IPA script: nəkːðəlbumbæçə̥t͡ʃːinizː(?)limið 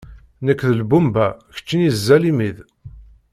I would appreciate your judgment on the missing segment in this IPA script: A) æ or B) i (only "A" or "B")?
A